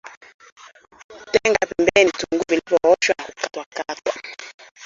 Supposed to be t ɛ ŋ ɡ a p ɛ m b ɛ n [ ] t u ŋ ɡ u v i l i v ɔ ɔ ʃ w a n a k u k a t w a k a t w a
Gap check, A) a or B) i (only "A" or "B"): B